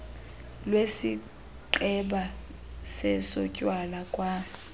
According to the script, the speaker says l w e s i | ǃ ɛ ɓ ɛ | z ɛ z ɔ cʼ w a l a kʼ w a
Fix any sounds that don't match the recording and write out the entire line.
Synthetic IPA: l w e s i | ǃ ɛ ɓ a | s ɛ s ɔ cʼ w a l a kʼ w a